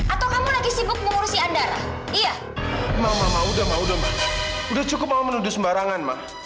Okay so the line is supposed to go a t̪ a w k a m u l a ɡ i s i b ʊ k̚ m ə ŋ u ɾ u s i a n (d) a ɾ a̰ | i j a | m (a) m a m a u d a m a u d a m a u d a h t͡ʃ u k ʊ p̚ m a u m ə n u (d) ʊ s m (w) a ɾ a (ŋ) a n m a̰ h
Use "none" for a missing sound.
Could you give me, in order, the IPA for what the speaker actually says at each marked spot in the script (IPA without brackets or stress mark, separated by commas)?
d, a, d, b, ŋ